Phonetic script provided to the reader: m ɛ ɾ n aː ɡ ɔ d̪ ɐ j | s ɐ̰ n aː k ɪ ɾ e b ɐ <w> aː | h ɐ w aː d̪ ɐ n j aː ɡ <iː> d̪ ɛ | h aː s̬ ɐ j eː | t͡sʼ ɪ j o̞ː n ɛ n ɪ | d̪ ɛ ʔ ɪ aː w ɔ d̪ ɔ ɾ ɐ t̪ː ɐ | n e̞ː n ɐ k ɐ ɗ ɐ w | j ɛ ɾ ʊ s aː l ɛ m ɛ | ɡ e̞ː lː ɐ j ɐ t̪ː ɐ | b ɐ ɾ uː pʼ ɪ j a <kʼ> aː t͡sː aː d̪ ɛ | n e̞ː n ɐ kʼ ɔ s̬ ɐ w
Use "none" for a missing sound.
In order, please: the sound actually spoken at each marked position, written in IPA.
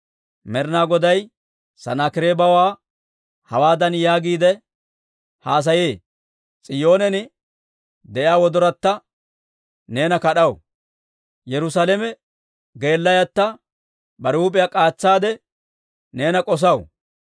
w, iː, kʼ

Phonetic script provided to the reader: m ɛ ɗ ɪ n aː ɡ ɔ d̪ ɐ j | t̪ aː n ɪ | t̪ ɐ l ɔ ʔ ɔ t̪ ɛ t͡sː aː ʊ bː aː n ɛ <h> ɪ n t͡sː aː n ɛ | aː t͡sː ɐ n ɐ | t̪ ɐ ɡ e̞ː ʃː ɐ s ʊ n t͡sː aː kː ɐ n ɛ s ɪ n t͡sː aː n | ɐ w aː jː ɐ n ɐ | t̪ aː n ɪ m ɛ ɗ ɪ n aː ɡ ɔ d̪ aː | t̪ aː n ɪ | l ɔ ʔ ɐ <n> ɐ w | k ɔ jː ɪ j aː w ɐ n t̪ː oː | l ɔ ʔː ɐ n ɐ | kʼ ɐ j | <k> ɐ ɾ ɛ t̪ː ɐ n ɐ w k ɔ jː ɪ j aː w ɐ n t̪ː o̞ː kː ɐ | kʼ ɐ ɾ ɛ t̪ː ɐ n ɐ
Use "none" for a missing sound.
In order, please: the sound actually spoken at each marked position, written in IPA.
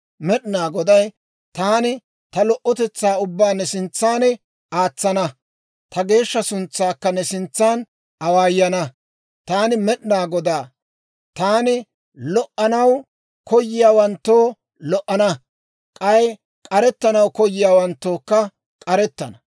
s, n, kʼ

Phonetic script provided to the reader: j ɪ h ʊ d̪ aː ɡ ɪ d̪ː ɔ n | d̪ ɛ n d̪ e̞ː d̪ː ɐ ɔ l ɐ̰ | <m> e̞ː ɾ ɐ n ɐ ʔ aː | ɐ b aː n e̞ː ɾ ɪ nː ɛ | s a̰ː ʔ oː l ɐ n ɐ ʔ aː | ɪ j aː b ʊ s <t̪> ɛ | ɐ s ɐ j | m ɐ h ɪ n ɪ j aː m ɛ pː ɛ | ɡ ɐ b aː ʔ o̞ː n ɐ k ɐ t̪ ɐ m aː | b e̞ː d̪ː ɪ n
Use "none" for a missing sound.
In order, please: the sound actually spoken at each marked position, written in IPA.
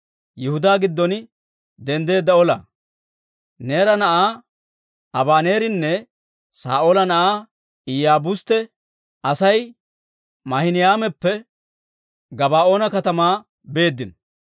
n, t̪

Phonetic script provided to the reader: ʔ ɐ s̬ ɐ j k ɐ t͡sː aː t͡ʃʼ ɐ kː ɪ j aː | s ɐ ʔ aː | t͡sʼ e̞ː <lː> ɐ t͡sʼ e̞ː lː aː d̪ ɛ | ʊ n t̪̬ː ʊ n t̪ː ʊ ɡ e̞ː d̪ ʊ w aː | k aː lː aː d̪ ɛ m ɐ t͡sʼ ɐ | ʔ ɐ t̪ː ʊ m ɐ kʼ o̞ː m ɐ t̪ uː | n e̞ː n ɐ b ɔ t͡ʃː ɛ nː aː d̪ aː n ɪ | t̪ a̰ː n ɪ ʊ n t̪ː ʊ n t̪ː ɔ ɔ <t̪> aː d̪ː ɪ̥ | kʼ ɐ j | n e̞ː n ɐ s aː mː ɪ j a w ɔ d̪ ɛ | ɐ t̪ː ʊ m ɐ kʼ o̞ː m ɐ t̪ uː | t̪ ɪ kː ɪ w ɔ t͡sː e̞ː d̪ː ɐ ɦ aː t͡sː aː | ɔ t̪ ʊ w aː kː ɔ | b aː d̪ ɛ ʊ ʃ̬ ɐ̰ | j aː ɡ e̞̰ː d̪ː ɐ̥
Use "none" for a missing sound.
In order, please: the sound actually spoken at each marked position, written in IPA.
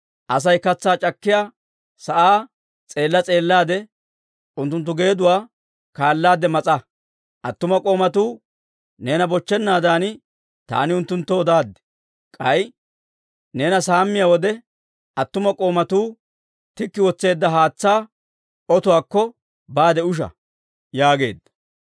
lː, d̪

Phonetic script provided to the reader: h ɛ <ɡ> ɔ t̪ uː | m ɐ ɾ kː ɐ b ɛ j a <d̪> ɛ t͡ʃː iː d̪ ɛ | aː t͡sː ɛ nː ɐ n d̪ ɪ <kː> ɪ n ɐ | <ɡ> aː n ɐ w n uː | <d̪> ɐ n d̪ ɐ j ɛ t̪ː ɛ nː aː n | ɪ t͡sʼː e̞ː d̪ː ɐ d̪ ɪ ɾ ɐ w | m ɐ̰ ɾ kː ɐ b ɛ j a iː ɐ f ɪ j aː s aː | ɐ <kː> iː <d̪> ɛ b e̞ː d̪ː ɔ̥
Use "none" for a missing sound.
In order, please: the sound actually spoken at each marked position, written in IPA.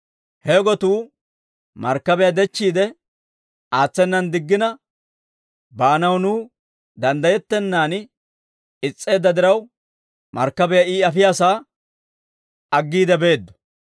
ɡ, d̪, ɡː, b, d̪, ɡː, d̪

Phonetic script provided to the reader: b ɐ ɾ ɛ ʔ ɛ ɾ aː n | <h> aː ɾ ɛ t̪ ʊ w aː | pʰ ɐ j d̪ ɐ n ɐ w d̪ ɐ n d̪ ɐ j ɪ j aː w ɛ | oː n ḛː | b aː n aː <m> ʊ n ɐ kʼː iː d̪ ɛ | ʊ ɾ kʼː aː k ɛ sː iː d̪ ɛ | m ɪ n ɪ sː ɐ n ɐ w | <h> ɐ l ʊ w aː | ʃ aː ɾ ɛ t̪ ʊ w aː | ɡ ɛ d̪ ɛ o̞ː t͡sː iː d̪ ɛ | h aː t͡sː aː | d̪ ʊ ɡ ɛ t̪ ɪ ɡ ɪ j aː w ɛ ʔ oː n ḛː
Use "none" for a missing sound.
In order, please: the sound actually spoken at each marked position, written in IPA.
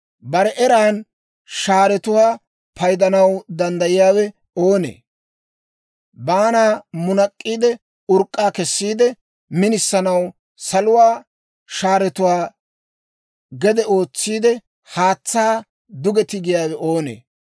ʃ, m, s

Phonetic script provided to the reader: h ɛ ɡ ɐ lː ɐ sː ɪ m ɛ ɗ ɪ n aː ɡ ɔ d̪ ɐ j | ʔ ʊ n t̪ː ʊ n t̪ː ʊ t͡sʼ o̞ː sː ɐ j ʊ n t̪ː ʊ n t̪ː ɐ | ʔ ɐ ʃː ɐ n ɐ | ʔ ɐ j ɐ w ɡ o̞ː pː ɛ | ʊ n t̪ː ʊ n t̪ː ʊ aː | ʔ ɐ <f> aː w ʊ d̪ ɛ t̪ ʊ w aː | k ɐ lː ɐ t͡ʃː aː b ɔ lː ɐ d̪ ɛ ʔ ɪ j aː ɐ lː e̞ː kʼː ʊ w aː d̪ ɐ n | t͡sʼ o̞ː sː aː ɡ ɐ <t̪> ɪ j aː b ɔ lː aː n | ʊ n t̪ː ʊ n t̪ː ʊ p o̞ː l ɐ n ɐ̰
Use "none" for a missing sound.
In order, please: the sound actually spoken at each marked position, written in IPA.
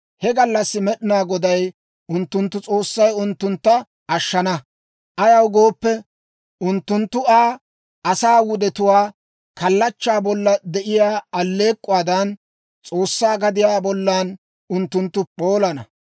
s, d̪

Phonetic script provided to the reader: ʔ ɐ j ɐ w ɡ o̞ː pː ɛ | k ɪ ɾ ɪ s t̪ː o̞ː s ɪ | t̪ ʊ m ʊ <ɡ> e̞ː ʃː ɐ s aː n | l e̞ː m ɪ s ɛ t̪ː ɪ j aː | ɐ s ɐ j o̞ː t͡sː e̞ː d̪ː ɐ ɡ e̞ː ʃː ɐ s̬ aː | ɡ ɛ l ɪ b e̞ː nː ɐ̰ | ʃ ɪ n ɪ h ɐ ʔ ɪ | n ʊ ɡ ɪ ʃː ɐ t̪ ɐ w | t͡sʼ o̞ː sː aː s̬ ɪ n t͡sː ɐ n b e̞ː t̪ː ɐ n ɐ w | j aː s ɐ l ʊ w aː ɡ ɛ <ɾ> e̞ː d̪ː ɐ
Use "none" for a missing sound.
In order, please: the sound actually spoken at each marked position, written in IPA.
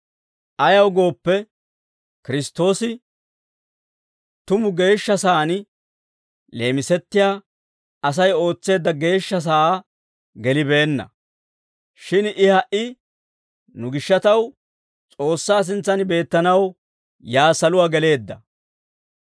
ɡ, l

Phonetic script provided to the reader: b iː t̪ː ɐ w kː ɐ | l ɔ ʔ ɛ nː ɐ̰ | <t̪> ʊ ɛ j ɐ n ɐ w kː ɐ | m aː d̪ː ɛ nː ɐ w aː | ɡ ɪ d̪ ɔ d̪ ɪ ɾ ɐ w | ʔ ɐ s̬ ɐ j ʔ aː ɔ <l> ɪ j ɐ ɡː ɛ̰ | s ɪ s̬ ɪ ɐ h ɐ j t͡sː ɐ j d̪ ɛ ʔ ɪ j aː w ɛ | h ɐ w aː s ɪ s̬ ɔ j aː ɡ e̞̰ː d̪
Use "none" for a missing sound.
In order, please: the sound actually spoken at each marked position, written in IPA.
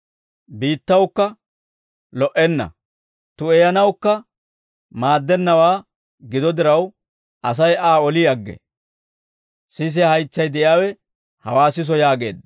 t̪, l

